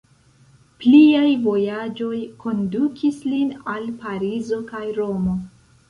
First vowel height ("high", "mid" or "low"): high